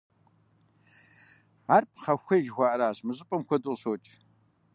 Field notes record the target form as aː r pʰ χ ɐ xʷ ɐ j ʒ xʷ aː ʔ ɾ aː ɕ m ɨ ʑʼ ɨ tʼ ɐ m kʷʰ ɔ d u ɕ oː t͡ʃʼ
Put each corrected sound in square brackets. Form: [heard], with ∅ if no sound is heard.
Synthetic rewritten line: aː r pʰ χ ɐ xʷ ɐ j ʒ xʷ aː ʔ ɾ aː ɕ m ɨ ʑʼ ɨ [pʼ] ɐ m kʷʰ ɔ d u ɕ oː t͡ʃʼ